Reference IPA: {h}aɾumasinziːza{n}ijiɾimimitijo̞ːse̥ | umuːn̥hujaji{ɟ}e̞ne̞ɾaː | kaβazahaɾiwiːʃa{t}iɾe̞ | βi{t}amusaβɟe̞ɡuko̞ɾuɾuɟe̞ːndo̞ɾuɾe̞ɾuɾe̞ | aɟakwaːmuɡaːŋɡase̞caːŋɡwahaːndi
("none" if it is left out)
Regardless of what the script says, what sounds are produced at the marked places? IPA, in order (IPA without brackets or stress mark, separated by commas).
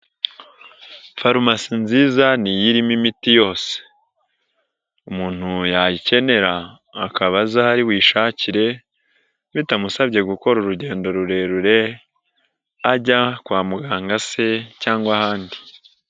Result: f, n, c, c, t